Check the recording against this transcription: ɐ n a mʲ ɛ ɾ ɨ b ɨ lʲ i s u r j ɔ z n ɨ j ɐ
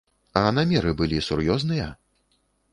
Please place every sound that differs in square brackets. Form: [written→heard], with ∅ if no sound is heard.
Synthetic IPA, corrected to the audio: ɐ n a mʲ ɛ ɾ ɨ b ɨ lʲ i s u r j ɔ z n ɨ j ɐ